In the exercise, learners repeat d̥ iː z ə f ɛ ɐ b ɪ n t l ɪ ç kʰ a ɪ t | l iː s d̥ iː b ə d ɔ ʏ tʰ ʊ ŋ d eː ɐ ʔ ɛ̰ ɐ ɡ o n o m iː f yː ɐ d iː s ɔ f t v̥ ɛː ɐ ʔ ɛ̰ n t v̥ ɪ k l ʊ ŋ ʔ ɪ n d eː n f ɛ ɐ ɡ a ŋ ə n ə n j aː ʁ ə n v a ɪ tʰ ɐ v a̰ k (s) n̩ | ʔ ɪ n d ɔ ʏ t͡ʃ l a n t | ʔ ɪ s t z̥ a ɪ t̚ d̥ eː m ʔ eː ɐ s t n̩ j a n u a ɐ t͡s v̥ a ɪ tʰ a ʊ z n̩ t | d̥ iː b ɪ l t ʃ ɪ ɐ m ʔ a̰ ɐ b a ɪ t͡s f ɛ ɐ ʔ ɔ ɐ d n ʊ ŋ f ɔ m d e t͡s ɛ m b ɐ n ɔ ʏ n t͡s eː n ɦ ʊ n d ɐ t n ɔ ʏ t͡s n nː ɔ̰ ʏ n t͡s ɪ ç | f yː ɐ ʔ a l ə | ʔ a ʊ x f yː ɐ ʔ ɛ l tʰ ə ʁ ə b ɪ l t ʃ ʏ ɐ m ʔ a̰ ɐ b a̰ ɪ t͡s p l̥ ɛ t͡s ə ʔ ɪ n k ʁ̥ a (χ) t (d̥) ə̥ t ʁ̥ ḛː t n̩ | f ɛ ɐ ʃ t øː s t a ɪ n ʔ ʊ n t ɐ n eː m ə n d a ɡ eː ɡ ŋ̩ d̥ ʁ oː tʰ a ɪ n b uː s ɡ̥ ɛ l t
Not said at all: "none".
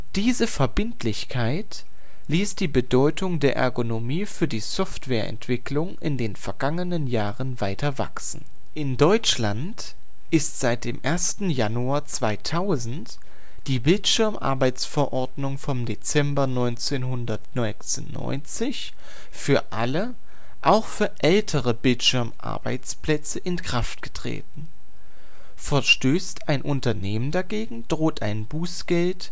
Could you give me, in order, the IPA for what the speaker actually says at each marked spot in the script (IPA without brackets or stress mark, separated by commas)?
s, f, ɡ̥